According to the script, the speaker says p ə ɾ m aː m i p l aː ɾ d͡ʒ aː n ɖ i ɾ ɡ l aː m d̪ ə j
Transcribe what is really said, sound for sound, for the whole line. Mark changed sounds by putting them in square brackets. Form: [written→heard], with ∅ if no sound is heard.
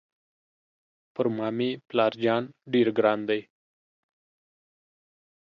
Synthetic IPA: p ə ɾ m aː m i p l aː ɾ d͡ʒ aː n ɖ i ɾ ɡ [l→ɾ] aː [m→n] d̪ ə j